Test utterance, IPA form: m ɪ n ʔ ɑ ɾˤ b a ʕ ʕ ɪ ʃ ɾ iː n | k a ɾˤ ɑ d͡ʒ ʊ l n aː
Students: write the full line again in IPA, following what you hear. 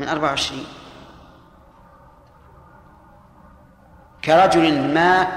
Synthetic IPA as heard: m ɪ n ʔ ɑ ɾˤ b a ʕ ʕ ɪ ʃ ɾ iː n | k a ɾˤ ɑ d͡ʒ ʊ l m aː